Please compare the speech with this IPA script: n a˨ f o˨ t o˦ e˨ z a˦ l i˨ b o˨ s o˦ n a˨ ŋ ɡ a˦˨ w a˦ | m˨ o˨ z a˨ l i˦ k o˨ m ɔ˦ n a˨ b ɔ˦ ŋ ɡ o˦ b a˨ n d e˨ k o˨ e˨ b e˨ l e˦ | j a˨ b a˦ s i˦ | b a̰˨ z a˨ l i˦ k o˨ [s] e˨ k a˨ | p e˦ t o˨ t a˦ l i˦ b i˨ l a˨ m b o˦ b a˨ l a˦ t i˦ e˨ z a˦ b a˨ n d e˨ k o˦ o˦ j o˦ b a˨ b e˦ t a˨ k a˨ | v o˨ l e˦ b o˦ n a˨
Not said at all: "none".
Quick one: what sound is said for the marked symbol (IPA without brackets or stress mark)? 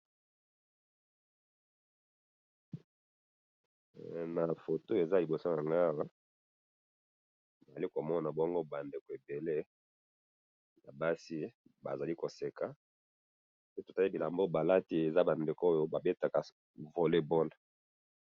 s